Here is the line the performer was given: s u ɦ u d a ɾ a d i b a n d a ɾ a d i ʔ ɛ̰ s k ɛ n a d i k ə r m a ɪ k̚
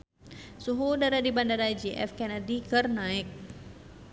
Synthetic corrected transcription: s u ɦ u d a ɾ a d i b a n d a ɾ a d͡ʒ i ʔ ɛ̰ f k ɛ n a d i k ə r n a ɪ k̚